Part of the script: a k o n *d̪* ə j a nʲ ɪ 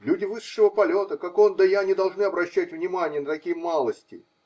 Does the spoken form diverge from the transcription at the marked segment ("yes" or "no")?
no